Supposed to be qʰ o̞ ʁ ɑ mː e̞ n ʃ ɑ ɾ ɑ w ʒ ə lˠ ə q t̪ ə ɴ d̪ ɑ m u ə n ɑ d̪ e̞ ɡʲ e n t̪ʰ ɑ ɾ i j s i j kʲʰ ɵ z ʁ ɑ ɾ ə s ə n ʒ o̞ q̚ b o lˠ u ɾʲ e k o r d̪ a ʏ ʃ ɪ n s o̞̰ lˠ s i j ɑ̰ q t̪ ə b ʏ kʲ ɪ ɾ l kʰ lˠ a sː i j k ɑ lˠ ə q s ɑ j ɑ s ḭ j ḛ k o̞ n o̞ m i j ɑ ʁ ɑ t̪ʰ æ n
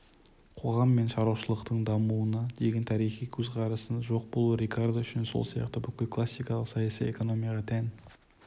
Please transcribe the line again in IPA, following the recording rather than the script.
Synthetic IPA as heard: qʰ o̞ ʁ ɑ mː e̞ n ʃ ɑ ɾ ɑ w ʃ ə lˠ ə q t̪ ə ɴ d̪ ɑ m u ə n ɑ d̪ e̞ ɡʲ e n t̪ʰ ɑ ɾ i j χ i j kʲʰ ɵ z ʁ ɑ ɾ ə s ə n ʒ o̞ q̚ b o lˠ u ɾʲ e k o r d̪ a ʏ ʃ ɪ n s o̞̰ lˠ s i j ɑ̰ q t̪ ə b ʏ kʲ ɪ l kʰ lˠ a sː i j k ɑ lˠ ə q s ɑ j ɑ s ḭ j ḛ k o̞ n o̞ m i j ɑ ʁ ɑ t̪ʰ æ n